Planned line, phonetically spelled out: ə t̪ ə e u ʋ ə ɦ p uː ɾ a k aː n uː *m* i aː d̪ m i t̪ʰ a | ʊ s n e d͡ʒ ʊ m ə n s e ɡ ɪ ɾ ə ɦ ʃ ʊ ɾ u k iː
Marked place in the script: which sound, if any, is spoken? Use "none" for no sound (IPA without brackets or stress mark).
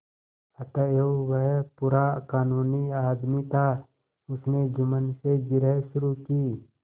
n